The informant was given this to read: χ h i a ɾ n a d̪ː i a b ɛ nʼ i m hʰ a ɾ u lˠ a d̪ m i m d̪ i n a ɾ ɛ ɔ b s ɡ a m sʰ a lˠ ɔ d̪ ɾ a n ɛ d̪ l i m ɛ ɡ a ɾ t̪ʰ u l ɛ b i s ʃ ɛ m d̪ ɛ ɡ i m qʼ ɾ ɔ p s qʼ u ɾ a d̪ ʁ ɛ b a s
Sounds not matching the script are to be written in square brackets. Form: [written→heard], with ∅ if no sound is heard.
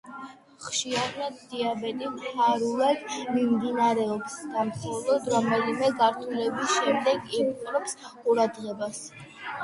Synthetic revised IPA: χ [h→ʃ] i a ɾ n a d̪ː i a b ɛ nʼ i m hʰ a ɾ u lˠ a d̪ m i m d̪ i n a ɾ ɛ ɔ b s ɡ a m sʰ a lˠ ɔ d̪ ɾ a [n→m] ɛ [d̪→∅] l i m ɛ ɡ a ɾ t̪ʰ u l ɛ b i s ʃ ɛ m d̪ ɛ ɡ i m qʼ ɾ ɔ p s qʼ u ɾ a d̪ ʁ ɛ b a s

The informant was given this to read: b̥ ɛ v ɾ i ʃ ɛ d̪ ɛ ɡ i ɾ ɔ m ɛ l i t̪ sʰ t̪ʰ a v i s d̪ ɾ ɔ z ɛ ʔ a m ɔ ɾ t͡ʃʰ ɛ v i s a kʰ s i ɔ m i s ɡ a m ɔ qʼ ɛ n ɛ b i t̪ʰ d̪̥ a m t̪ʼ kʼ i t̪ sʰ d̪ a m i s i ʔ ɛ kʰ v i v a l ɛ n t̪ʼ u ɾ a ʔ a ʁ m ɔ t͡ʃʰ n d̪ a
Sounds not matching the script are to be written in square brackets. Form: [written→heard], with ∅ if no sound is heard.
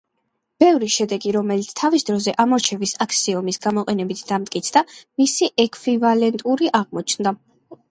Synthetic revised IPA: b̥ ɛ v ɾ i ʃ ɛ d̪ ɛ ɡ i ɾ ɔ m ɛ l i t̪ sʰ t̪ʰ a v i s d̪ ɾ ɔ z ɛ ʔ a m ɔ ɾ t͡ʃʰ ɛ v i s a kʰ s i ɔ m i s ɡ a m ɔ qʼ ɛ n ɛ b i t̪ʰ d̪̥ a m t̪ʼ kʼ i t̪ sʰ d̪ a m i s i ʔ ɛ kʰ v i v a l ɛ n t̪ʼ u ɾ [a→i] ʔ a ʁ m ɔ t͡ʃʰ n d̪ a

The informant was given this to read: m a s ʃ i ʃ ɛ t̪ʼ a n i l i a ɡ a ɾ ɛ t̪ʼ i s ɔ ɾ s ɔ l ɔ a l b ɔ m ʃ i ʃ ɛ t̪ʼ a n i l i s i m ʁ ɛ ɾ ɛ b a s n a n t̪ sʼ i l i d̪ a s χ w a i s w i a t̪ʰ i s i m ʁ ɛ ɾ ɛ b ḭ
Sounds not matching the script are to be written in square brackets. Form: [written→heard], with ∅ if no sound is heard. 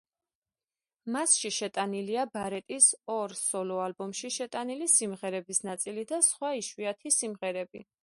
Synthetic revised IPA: m a s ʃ i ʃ ɛ t̪ʼ a n i l i a [ɡ→b] a ɾ ɛ t̪ʼ i s ɔ ɾ s ɔ l ɔ a l b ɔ m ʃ i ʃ ɛ t̪ʼ a n i l i s i m ʁ ɛ ɾ ɛ b [a→i] s n a [n→∅] t̪ sʼ i l i d̪ a s χ w a i [s→ʃ] w i a t̪ʰ i s i m ʁ ɛ ɾ ɛ b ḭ

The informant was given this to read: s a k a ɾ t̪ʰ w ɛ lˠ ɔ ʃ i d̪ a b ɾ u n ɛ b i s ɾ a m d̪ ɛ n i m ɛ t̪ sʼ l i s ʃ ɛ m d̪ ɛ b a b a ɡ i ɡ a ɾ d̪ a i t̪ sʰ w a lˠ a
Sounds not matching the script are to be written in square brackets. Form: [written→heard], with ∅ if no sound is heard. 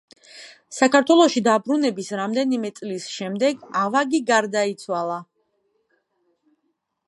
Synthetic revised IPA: s a k a ɾ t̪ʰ w ɛ lˠ ɔ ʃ i d̪ a b ɾ u n ɛ b i s ɾ a m d̪ ɛ n i m ɛ t̪ sʼ l i s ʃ ɛ m d̪ ɛ [b→ɡ] a [b→v] a ɡ i ɡ a ɾ d̪ a i t̪ sʰ w a lˠ a

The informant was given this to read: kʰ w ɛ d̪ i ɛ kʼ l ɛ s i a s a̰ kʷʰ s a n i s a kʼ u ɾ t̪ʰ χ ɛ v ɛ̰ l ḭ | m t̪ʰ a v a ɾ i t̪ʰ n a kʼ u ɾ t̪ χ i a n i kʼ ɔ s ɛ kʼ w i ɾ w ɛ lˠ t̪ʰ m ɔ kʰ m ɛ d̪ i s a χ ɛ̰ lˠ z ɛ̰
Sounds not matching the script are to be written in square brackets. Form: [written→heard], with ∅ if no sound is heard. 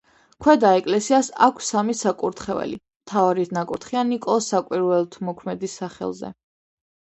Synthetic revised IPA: kʰ w ɛ d̪ [i→a] ɛ kʼ l ɛ s i a s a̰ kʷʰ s a [n→m] i s a kʼ u ɾ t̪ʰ χ ɛ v ɛ̰ l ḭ | m t̪ʰ a v a ɾ i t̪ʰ n a kʼ u ɾ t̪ χ i a n i kʼ ɔ s [ɛ→a] kʼ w i ɾ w ɛ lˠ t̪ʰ m ɔ kʰ m ɛ d̪ i s a χ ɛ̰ lˠ z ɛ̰

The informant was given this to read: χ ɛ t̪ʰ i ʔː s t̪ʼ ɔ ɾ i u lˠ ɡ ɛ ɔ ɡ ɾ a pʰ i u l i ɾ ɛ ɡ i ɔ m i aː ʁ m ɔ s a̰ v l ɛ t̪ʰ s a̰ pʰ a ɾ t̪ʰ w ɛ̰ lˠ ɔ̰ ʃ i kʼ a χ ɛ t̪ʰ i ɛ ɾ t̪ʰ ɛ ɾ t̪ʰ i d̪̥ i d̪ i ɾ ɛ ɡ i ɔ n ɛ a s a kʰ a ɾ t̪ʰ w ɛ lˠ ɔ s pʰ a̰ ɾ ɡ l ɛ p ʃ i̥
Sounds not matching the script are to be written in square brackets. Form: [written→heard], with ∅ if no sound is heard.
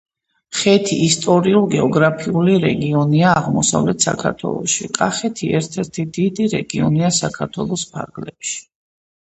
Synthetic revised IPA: χ ɛ t̪ʰ i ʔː s t̪ʼ ɔ ɾ i u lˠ ɡ ɛ ɔ ɡ ɾ a pʰ i u l i ɾ ɛ ɡ i ɔ [m→n] i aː ʁ m ɔ s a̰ v l ɛ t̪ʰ s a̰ [pʰ→kʰ] a ɾ t̪ʰ w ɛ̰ lˠ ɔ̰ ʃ i kʼ a χ ɛ t̪ʰ i ɛ ɾ t̪ʰ ɛ ɾ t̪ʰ i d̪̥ i d̪ i ɾ ɛ ɡ i ɔ n [ɛ→i] a s a kʰ a ɾ t̪ʰ w ɛ lˠ ɔ s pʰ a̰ ɾ ɡ l ɛ p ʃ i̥

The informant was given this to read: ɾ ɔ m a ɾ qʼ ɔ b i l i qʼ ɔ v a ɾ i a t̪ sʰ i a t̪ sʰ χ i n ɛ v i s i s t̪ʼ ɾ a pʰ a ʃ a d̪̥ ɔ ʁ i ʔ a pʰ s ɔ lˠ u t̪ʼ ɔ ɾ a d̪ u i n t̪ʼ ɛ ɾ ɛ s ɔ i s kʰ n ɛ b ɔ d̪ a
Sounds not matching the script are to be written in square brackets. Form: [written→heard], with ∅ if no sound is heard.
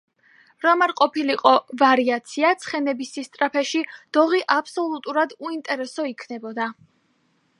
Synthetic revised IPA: ɾ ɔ m a ɾ qʼ ɔ [b→p] i l i qʼ ɔ v a ɾ i a t̪ sʰ i a t̪ sʰ χ [i→ɛ] n ɛ [v→b] i s i s t̪ʼ ɾ a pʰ [a→ɛ] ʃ [a→i] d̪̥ ɔ ʁ i ʔ a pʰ s ɔ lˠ u t̪ʼ [ɔ→u] ɾ a d̪ u i n t̪ʼ ɛ ɾ ɛ s ɔ i [s→∅] kʰ n ɛ b ɔ d̪ a

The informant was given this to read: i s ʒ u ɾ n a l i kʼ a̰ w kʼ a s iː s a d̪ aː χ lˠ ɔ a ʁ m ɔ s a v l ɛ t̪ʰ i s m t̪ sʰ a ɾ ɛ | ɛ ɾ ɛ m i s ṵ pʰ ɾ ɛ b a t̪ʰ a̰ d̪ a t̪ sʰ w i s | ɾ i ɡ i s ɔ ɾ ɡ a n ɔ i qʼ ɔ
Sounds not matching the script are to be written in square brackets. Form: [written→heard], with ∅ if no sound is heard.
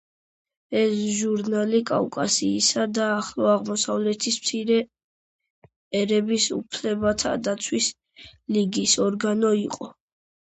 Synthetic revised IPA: [i→ɛ] s ʒ u ɾ n a l i kʼ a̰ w kʼ a s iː s a d̪ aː χ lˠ ɔ a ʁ m ɔ s a v l ɛ t̪ʰ i s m t̪ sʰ [a→i] ɾ ɛ | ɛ ɾ ɛ [m→b] i s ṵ pʰ [ɾ→l] ɛ b a t̪ʰ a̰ d̪ a t̪ sʰ w i s | [ɾ→l] i ɡ i s ɔ ɾ ɡ a n ɔ i qʼ ɔ

